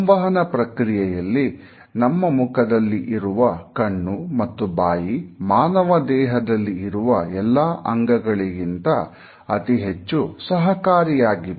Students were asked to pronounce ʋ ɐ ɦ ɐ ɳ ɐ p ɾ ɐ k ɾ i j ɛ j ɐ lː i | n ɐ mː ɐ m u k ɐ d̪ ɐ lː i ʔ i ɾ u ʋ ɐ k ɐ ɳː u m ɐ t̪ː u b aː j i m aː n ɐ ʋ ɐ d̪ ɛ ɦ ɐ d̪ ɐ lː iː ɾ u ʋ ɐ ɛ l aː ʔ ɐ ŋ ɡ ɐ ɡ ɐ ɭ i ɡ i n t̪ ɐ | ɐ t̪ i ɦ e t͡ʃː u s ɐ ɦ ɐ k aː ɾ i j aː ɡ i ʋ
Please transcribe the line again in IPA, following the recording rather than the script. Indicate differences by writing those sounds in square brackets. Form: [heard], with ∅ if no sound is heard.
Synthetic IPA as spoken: ʋ ɐ ɦ ɐ [n] ɐ p ɾ ɐ k ɾ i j ɛ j ɐ lː i | n ɐ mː ɐ m u k ɐ d̪ ɐ lː i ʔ i ɾ u ʋ ɐ k ɐ ɳː u m ɐ t̪ː u b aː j i m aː n ɐ ʋ ɐ d̪ [ɛː] ɦ ɐ d̪ ɐ lː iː ɾ u ʋ ɐ ɛ [lː] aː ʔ ɐ ŋ ɡ ɐ ɡ ɐ ɭ i ɡ i n t̪ ɐ | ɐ t̪ i ɦ e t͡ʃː u s ɐ ɦ ɐ k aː ɾ i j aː ɡ i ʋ